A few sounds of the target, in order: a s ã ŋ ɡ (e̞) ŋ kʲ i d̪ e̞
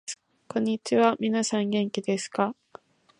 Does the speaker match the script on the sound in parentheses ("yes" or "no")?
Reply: no